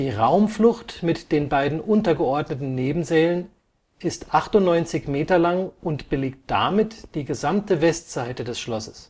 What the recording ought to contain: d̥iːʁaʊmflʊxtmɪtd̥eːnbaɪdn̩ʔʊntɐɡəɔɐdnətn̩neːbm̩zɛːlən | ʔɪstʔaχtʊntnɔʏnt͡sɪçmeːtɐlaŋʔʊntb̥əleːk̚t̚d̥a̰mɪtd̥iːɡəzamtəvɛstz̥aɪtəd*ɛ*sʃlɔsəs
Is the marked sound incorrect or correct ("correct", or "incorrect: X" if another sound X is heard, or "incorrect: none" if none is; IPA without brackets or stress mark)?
correct